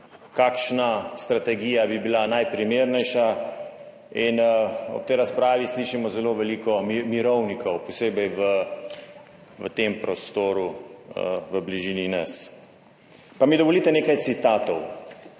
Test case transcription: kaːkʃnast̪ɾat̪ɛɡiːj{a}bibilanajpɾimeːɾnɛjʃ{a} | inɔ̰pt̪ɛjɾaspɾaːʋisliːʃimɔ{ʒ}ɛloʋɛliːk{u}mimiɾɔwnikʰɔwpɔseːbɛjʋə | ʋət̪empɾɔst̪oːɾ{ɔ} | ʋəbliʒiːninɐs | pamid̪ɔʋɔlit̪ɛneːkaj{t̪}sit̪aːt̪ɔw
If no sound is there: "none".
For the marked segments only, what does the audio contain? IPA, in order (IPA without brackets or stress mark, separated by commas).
a, a, z, ɔ, u, t̪